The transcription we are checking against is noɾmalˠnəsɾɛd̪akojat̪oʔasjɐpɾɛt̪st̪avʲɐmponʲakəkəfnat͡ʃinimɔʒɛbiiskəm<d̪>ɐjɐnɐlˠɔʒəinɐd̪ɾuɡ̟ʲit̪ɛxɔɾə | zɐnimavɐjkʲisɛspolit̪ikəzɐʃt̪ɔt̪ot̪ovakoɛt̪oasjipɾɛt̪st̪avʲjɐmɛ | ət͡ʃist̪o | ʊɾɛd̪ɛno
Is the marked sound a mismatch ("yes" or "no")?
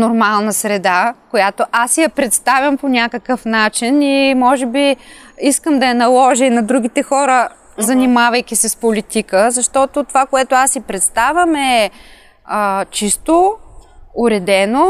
no